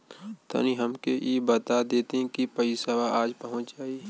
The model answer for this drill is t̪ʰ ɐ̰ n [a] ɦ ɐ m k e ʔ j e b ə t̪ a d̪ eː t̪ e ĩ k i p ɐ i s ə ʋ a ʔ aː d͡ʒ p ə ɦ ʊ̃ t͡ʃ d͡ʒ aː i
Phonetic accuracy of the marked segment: incorrect: i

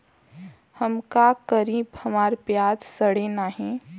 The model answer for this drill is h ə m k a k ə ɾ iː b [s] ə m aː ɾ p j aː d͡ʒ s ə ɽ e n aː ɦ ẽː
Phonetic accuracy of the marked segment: incorrect: h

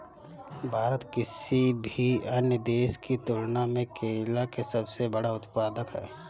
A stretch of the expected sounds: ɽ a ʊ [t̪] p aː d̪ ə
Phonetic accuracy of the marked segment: correct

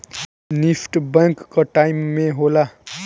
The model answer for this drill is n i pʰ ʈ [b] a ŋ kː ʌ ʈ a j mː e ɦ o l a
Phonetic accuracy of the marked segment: correct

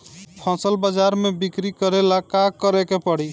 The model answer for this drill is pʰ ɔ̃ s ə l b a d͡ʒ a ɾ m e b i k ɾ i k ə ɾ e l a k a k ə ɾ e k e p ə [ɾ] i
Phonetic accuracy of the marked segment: incorrect: ɽ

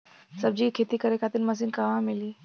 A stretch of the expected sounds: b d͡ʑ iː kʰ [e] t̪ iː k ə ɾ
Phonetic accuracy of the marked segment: correct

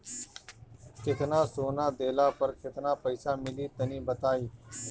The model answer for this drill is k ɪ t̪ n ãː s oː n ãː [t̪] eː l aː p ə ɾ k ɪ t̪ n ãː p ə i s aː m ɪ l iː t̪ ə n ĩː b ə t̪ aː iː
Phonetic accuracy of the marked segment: incorrect: d̪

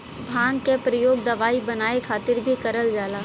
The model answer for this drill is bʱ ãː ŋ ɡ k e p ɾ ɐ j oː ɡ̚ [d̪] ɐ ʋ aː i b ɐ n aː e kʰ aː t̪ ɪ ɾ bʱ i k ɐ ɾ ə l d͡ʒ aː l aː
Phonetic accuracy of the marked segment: correct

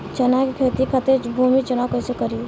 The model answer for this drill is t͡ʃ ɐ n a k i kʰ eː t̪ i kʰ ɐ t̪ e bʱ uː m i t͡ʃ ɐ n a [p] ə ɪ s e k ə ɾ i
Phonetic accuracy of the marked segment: incorrect: k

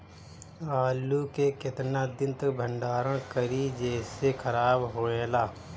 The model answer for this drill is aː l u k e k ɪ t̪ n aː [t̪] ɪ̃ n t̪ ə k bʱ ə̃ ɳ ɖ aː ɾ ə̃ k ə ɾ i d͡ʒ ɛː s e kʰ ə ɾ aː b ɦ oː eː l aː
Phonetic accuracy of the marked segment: incorrect: d̪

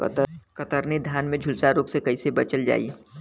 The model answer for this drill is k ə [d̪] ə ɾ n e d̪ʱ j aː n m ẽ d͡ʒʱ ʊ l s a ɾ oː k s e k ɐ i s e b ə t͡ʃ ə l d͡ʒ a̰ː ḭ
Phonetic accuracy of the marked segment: incorrect: t̪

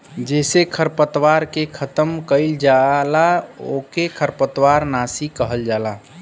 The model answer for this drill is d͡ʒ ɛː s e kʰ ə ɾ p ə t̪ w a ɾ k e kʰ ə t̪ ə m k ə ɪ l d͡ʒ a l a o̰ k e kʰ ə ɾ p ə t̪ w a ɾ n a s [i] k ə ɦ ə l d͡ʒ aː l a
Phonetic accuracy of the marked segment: correct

